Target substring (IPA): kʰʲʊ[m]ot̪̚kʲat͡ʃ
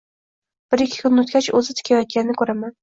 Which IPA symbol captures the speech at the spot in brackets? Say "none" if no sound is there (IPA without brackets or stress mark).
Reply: n